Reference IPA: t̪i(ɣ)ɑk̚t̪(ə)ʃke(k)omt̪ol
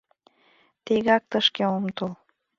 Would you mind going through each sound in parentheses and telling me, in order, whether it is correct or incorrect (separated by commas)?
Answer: correct, correct, incorrect